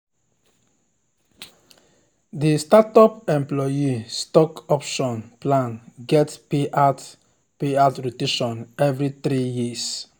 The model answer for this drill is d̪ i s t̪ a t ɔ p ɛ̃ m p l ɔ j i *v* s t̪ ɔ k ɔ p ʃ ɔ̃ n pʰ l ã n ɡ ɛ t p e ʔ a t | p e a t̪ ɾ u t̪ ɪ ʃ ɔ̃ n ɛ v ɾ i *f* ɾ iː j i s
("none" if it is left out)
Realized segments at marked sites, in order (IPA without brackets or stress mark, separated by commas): none, θ